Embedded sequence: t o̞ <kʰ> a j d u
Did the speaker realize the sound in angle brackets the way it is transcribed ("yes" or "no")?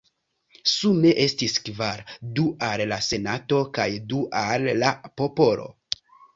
no